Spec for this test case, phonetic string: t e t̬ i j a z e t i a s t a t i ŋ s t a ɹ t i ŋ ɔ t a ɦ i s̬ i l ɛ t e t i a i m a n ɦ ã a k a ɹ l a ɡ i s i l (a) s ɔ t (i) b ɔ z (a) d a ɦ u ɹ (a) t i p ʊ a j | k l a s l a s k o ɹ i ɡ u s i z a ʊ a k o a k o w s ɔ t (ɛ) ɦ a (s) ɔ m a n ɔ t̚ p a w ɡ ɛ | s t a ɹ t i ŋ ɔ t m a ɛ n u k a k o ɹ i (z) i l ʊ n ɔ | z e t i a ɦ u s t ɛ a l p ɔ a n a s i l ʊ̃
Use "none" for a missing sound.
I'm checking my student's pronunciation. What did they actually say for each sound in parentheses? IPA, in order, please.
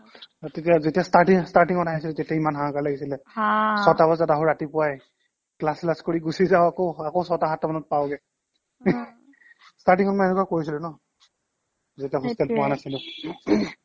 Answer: ɛ, a, a, a, a, t, s

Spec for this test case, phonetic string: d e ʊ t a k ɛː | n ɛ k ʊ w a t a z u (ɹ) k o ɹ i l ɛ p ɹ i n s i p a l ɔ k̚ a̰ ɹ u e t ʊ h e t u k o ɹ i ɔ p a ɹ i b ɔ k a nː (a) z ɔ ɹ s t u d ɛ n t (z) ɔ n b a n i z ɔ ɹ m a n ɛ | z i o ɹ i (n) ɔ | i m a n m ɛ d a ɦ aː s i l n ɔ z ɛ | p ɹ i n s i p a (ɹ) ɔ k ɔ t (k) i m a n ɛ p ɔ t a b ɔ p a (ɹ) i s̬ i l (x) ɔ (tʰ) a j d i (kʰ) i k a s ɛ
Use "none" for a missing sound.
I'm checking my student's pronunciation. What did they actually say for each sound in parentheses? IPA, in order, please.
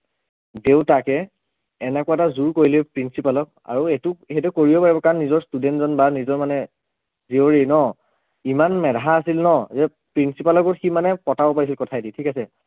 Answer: ɹ, i, z, n, l, x, ɹ, k, tʰ, tʰ

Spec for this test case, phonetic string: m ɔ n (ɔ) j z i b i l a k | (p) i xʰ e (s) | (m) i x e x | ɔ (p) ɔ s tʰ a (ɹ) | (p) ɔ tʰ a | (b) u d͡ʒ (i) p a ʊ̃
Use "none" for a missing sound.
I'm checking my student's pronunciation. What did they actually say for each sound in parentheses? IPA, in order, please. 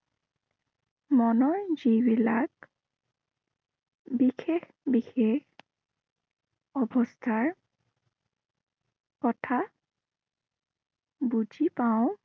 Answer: ɔ, b, x, b, b, ɹ, k, b, i

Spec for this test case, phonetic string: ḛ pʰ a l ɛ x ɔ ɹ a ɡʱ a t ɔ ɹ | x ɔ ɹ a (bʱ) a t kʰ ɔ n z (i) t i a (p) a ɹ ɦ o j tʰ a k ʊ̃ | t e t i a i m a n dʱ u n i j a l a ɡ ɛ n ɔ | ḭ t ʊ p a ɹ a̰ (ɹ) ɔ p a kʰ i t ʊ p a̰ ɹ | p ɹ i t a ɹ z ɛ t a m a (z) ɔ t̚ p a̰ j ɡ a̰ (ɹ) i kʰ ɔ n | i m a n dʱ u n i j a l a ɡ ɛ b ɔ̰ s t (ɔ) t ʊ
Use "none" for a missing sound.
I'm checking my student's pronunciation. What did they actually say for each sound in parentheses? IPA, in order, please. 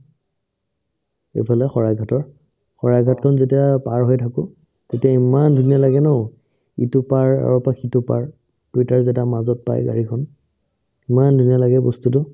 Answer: ɡʱ, e, p, ɹ, z, ɹ, u

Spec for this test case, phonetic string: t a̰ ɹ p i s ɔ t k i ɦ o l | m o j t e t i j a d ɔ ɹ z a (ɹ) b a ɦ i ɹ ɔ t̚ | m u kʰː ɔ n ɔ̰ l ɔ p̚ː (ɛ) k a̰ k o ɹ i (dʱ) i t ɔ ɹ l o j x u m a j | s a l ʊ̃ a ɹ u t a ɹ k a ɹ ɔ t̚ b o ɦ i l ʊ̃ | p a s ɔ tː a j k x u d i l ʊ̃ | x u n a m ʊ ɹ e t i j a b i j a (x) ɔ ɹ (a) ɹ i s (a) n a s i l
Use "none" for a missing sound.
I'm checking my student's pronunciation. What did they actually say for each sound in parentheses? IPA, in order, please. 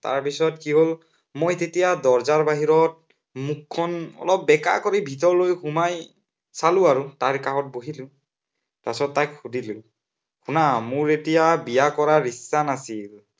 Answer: ɹ, ɛ, bʱ, k, a, a

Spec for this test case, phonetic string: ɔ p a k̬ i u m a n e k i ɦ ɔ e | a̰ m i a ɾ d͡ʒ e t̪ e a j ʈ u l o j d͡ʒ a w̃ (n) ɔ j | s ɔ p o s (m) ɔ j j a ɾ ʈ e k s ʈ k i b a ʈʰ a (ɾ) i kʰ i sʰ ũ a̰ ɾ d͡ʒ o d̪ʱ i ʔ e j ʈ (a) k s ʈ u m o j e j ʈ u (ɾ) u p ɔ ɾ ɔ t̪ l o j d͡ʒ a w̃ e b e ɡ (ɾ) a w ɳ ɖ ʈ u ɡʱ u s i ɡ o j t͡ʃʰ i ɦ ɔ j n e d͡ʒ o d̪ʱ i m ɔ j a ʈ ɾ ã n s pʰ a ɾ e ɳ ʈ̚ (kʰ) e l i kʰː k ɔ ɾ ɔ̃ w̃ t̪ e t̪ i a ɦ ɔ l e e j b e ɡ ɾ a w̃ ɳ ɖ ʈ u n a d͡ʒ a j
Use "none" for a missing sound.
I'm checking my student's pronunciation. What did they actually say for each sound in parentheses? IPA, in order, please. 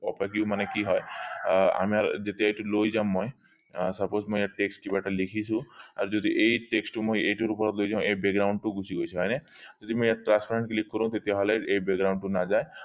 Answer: m, m, l, e, ɾ, ɾ, k

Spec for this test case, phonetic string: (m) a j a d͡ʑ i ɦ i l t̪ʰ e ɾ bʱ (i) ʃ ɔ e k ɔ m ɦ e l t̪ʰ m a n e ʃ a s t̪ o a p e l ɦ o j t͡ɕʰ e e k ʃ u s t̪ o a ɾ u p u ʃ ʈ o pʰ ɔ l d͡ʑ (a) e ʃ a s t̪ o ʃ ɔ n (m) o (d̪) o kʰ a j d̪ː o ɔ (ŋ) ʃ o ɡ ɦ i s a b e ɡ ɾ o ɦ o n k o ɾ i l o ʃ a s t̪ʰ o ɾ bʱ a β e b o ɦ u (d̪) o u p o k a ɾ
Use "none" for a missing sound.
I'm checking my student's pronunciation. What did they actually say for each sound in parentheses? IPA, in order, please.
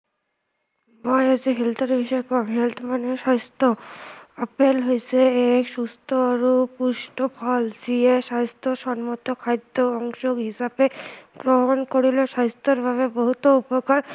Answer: m, i, i, m, t̪, ŋ, t̪

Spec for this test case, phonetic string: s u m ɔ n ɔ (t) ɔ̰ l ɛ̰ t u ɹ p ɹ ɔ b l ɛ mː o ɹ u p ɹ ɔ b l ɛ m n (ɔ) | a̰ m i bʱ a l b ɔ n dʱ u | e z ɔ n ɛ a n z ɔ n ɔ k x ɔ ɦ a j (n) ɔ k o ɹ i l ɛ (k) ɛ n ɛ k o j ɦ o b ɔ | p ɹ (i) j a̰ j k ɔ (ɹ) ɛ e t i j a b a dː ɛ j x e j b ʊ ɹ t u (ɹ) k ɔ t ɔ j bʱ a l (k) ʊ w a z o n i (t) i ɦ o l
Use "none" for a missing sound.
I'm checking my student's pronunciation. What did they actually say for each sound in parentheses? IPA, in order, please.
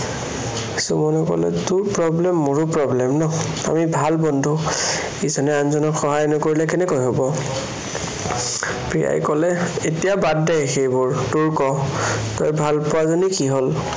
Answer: k, ɔ, n, k, i, l, ɹ, p, k

